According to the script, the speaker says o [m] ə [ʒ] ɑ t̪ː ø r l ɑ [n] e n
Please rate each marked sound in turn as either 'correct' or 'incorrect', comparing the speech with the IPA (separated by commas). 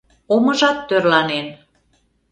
correct, correct, correct